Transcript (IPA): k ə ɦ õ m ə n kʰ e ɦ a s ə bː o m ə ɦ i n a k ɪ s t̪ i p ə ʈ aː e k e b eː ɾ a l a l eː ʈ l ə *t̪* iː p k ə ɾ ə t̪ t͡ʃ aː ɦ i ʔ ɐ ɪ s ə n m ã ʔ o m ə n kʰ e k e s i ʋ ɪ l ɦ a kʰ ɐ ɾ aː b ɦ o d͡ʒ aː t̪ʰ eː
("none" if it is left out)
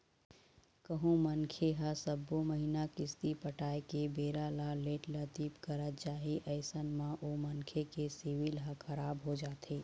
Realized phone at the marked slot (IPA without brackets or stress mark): t̪